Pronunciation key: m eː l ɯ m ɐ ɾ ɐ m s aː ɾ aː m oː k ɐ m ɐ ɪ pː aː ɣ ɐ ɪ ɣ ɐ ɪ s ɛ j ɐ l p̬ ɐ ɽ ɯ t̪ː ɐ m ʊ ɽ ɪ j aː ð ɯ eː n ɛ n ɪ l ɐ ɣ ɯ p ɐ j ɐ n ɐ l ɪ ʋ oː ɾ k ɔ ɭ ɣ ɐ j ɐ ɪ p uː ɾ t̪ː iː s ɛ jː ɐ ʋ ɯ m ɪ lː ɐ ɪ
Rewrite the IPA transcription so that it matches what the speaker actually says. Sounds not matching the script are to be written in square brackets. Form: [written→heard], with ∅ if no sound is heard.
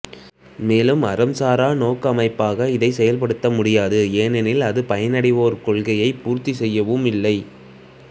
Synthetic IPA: m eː l ɯ m ɐ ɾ ɐ m s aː ɾ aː [m→n] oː k ɐ m ɐ ɪ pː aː ɣ ɐ ɪ [ɣ→ð] ɐ ɪ s ɛ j ɐ l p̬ ɐ ɽ ɯ t̪ː ɐ m ʊ ɽ ɪ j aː ð ɯ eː n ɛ n ɪ l ɐ [ɣ→ð] ɯ p ɐ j ɐ n ɐ [l→ɽ] ɪ ʋ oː ɾ k ɔ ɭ ɣ ɐ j ɐ ɪ p uː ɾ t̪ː [iː→i] s ɛ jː ɐ ʋ ɯ m ɪ lː ɐ ɪ